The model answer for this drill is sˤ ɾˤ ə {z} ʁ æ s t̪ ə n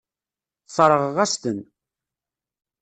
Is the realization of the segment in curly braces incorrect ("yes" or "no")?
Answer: yes